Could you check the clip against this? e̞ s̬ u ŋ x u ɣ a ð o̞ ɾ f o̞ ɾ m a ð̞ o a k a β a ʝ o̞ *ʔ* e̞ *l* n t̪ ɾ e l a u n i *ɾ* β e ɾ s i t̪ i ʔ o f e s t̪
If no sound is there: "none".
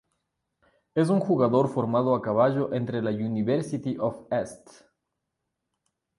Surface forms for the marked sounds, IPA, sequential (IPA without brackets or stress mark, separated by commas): ʔ, none, none